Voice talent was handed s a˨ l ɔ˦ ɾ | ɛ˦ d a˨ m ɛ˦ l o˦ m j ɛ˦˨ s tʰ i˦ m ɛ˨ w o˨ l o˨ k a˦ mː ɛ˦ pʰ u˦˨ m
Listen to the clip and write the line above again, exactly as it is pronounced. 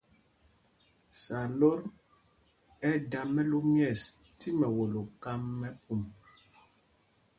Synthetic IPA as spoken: s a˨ l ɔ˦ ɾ | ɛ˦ d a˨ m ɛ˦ l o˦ m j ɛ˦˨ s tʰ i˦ m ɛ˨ w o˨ l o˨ k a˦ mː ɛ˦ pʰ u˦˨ m